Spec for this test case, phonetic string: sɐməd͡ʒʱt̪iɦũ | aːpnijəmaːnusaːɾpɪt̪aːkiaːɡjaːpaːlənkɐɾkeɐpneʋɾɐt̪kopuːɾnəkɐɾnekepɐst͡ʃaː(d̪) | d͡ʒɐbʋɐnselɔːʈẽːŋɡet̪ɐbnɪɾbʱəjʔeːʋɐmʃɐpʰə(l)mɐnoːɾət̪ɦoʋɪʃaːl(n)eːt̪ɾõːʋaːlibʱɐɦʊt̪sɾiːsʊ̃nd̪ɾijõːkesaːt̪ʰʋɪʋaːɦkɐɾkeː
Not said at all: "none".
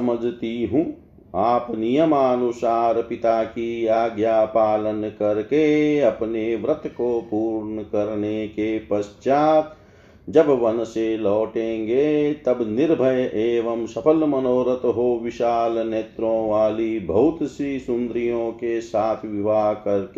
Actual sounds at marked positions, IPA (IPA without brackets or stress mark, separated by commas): t̪, l, n